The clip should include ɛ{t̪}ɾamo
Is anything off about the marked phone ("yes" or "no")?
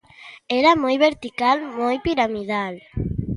yes